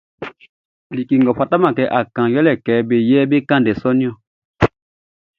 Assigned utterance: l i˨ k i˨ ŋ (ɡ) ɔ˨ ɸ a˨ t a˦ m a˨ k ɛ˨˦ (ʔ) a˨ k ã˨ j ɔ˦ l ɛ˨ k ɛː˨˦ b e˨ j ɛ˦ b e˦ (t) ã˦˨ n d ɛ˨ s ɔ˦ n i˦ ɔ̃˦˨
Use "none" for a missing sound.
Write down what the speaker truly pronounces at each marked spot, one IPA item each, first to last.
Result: ɡ, ʔ, k

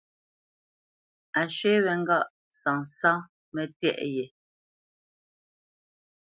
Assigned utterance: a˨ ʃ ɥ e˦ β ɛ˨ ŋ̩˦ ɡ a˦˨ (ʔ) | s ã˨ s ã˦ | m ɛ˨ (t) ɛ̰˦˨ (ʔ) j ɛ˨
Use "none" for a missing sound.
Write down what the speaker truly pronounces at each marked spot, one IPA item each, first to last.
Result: ʔ, t, ʔ

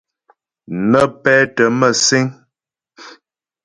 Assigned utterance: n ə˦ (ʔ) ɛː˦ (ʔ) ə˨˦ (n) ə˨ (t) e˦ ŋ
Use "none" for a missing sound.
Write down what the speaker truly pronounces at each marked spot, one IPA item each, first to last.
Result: p, t, m, s

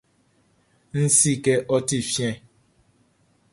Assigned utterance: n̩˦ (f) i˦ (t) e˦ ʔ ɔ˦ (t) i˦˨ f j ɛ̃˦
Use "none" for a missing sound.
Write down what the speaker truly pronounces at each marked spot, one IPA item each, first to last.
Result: s, k, t

